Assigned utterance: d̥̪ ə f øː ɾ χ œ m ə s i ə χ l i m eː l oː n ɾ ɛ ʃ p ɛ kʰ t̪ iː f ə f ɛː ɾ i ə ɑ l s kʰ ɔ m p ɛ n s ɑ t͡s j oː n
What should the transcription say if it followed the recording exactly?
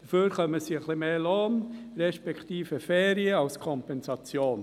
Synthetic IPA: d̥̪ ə f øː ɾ χ œ m ə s i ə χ l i m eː l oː n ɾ ɛ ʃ p ɛ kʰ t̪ iː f ə f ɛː ɾ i ə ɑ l s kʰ ɔ m p ɛ n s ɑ t͡s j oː n